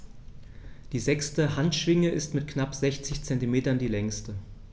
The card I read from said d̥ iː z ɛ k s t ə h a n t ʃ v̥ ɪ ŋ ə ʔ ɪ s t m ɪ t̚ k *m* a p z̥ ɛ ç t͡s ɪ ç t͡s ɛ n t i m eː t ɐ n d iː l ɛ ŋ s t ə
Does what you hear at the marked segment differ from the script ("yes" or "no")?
yes